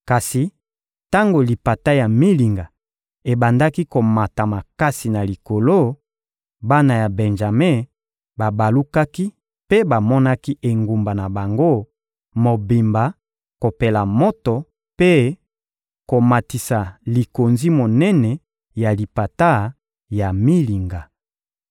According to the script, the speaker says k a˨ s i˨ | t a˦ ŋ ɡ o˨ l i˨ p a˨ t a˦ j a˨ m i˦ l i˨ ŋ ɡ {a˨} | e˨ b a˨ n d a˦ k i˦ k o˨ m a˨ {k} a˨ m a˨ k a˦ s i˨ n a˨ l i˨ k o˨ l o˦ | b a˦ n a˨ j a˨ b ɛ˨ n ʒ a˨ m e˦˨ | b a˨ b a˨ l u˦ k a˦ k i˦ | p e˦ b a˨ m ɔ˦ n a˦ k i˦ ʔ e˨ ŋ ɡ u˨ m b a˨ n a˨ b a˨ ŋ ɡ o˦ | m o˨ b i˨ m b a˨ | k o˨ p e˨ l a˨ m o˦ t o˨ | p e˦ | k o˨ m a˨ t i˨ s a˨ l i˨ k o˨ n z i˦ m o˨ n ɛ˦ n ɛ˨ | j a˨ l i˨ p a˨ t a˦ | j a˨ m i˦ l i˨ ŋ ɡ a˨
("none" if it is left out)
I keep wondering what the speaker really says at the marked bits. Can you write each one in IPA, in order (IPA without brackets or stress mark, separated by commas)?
a˨, t